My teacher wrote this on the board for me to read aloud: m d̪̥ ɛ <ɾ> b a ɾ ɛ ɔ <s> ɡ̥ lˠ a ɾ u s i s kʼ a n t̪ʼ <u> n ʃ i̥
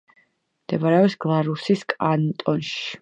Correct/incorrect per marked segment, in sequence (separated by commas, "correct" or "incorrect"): incorrect, correct, incorrect